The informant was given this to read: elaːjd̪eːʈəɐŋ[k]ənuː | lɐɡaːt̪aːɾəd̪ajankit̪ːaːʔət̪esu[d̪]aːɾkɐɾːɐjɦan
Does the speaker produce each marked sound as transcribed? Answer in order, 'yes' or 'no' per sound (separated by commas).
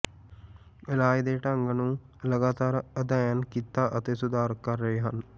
no, yes